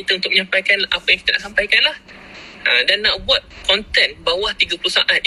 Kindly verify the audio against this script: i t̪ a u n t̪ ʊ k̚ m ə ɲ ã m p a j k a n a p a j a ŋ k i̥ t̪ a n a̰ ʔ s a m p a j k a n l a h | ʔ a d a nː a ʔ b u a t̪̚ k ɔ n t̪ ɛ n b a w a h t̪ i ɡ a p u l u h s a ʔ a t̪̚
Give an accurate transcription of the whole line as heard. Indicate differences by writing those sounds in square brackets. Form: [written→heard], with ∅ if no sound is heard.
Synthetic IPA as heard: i t̪ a u n t̪ ʊ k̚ m ə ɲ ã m p a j k a n a p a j a ŋ k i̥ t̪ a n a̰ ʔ s a m p a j k a n l a h | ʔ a d a nː a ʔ b u a t̪̚ k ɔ n t̪ ɛ n b a w a h t̪ i ɡ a p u l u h s a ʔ a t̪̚